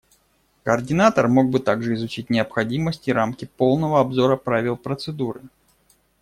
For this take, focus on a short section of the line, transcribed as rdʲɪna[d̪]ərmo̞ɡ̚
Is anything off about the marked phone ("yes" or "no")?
yes